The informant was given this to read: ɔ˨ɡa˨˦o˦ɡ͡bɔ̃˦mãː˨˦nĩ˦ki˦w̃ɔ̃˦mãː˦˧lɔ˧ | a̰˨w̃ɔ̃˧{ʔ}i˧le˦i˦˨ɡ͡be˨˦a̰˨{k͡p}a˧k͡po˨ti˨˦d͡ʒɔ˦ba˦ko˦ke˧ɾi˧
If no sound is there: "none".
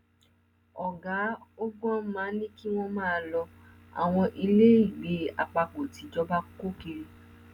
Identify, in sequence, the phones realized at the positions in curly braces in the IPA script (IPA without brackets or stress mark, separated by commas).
ʔ, k͡p